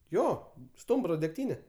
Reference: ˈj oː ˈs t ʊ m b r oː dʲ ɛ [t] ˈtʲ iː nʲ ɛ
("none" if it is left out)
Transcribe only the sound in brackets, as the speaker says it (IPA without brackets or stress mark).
k